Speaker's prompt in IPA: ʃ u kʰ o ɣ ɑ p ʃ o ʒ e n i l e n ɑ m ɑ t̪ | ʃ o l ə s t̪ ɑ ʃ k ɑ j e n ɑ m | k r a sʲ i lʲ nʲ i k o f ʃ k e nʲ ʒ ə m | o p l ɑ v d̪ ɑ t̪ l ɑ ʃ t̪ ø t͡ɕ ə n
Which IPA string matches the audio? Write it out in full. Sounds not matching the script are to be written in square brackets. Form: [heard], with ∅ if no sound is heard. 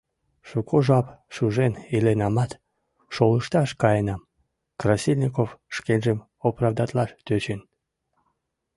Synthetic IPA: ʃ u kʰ o [ʒ] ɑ p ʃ [u] ʒ e n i l e n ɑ m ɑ t̪ | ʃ o l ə [ʃ] t̪ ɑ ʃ k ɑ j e n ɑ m | k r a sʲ i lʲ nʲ i k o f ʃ k e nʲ ʒ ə m | o p [r] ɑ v d̪ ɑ t̪ l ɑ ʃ t̪ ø t͡ɕ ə n